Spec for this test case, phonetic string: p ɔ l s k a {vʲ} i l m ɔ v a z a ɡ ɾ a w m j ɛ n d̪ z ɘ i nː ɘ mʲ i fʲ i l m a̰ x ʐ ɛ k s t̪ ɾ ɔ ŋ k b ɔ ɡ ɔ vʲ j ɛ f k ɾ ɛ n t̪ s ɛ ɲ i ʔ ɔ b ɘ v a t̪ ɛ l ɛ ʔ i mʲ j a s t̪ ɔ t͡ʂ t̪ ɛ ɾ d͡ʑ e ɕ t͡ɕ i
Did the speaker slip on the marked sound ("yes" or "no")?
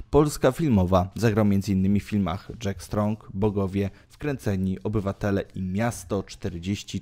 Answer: yes